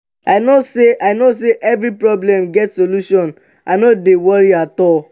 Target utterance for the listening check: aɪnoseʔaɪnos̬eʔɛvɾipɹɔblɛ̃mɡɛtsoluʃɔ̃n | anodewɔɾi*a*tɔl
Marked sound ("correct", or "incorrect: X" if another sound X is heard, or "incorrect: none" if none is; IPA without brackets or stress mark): correct